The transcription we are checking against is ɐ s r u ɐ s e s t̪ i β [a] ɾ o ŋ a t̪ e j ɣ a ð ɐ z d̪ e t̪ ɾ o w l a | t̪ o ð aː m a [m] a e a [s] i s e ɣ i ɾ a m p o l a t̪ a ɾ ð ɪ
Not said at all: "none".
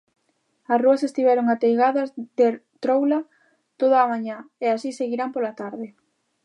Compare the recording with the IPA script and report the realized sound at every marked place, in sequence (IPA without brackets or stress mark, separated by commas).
ɛ, ɲ, s